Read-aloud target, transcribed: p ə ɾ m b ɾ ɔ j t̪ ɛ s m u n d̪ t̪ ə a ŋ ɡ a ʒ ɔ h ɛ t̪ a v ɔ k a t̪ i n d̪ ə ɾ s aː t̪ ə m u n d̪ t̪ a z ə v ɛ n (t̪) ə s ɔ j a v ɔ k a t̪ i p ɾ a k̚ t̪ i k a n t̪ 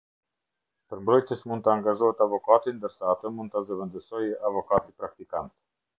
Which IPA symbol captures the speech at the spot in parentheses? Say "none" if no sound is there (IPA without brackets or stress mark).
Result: d̪